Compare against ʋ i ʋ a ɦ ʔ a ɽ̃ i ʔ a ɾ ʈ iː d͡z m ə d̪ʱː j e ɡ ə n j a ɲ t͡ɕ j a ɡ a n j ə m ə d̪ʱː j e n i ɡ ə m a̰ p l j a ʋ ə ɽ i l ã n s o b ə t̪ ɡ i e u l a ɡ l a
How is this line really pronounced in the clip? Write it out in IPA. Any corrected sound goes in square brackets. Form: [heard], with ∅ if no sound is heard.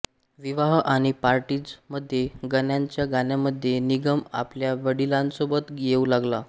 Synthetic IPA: ʋ i ʋ a ɦ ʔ a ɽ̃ i [p] a ɾ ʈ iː d͡z m ə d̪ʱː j e ɡ ə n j a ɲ t͡ɕ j a ɡ a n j [a] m ə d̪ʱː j e n i ɡ ə m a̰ p l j a ʋ ə ɽ i l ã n s o b ə t̪ ɡ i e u l a ɡ l a